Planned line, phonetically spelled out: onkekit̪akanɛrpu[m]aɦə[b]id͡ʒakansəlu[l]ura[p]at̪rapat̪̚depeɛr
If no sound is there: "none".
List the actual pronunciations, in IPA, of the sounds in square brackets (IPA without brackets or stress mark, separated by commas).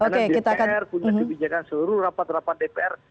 ɲ, b, ɾ, p